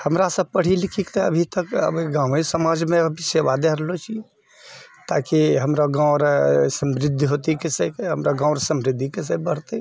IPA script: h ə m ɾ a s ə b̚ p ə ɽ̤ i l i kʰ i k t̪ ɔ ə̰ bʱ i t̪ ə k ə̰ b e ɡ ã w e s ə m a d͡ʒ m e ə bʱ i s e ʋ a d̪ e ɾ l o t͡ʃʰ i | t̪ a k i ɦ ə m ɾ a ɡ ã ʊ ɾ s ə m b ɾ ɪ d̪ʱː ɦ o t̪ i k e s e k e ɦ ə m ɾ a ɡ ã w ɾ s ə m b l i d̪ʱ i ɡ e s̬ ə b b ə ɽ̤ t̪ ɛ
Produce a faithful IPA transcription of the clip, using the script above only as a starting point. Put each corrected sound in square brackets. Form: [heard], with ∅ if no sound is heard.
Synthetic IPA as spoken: h ə m ɾ a s ə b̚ p ə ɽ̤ i l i kʰ i k t̪ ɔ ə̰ bʱ i t̪ ə k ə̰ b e ɡ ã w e s ə m a d͡ʒ m e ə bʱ i s e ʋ a d̪ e ɾ l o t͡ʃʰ i | t̪ a k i ɦ ə m ɾ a ɡ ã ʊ ɾ s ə m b ɾ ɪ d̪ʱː ɦ o t̪ i k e s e k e ɦ ə m ɾ a ɡ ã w ɾ s ə m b [ɾ] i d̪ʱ i [k] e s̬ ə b b ə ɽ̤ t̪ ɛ